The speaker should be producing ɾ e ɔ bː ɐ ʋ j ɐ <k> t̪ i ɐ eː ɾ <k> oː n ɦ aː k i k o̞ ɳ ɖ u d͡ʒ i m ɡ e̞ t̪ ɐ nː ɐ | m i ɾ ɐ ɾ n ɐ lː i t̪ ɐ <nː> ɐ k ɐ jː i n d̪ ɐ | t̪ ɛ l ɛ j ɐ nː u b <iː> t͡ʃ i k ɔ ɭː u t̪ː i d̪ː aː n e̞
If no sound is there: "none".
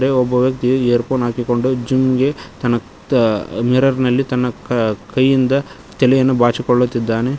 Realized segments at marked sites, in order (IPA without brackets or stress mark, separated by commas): k, p, nː, aː